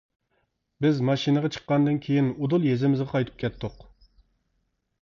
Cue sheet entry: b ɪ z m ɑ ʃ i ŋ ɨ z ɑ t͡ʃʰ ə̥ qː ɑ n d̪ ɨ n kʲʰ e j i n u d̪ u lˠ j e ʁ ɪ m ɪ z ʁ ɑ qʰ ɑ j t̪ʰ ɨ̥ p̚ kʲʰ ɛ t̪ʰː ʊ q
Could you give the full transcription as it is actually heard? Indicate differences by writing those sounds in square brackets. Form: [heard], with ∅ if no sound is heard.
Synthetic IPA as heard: b ɪ z m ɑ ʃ i [n] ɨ [ʁ] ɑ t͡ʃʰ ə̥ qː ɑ n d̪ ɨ n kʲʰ e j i n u d̪ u lˠ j e [z] ɪ m ɪ z ʁ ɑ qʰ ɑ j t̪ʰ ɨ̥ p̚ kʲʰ ɛ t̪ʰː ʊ q